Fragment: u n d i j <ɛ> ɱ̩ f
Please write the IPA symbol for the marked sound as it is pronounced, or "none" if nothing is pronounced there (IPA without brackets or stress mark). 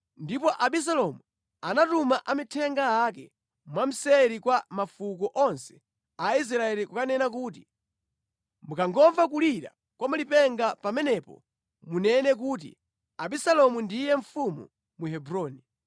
ɛ